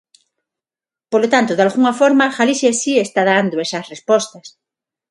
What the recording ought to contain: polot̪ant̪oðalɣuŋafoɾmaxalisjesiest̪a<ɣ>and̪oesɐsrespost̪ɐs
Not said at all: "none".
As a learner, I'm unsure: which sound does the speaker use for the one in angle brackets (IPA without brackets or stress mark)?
ð